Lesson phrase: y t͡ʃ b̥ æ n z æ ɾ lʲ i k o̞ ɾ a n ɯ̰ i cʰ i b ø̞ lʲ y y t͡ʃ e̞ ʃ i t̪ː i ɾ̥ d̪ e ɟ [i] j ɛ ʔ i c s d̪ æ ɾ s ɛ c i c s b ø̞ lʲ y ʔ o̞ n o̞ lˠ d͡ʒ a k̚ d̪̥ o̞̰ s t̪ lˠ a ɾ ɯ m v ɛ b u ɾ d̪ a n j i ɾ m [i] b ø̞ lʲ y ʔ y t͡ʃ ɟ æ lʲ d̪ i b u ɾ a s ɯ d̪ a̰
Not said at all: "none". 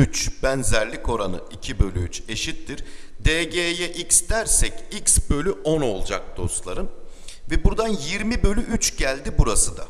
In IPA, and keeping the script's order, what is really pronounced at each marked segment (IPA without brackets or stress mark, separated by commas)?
e, i